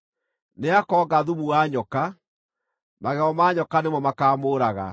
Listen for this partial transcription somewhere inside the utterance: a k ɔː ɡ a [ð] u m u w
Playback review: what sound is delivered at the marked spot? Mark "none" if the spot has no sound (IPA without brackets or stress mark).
ð